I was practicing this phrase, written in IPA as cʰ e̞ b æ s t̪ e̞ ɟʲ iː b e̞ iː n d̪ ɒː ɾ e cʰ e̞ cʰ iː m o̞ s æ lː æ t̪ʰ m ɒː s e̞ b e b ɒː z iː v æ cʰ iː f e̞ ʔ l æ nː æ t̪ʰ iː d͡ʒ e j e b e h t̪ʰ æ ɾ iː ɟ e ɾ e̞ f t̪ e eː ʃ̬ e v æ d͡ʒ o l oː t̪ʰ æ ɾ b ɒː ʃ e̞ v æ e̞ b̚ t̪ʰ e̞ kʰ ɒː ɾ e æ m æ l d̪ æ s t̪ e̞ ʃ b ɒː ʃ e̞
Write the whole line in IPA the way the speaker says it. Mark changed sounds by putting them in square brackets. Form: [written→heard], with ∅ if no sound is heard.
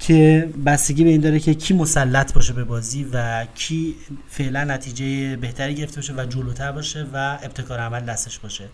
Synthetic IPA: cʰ e̞ b æ s t̪ e̞ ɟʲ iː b e̞ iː n d̪ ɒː ɾ e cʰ e̞ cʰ iː m o̞ s æ lː æ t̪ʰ [m→b] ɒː [s→ʃ] e̞ b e b ɒː z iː v æ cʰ iː f e̞ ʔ l æ nː æ t̪ʰ iː d͡ʒ e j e b e h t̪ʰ æ ɾ iː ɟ e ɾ e̞ f t̪ e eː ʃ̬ e v æ d͡ʒ o l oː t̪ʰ æ ɾ b ɒː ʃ e̞ v æ e̞ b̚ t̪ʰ e̞ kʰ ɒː ɾ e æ m æ l d̪ æ s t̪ e̞ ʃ b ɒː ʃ e̞